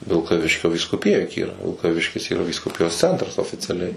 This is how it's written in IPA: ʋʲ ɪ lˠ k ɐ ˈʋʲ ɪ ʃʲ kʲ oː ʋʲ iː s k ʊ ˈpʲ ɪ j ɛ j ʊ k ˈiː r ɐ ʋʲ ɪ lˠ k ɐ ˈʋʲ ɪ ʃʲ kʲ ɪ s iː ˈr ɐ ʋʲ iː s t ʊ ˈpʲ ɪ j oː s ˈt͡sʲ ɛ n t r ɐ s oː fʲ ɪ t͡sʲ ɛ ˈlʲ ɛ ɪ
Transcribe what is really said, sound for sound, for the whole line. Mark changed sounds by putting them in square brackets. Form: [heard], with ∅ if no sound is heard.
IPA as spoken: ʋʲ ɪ lˠ k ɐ ˈʋʲ ɪ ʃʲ kʲ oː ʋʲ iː s k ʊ ˈpʲ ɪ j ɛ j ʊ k ˈiː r ɐ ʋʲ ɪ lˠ k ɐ ˈʋʲ ɪ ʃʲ kʲ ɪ s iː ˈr ɐ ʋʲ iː s [k] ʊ ˈpʲ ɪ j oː s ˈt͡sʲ ɛ n t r ɐ s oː fʲ ɪ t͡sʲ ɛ ˈlʲ ɛ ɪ